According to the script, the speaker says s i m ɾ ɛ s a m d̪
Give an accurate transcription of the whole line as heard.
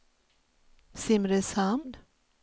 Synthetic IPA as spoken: s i m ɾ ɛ s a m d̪